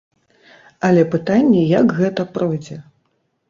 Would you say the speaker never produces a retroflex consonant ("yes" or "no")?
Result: yes